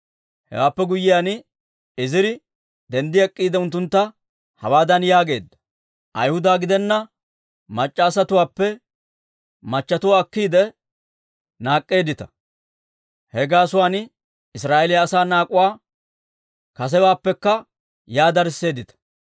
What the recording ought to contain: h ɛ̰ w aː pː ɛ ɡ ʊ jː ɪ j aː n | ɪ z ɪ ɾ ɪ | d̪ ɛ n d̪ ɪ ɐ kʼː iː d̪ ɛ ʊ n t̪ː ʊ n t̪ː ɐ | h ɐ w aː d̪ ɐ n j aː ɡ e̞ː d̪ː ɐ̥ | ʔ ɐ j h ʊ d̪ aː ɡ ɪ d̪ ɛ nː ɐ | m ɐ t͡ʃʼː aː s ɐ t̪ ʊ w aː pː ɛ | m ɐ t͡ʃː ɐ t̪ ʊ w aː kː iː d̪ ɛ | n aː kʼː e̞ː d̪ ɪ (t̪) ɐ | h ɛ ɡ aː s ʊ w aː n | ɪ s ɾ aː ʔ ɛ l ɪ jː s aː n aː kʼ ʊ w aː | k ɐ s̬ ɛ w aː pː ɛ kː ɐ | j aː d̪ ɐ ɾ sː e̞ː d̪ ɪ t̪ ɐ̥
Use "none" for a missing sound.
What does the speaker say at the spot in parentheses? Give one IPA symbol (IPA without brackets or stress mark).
t̪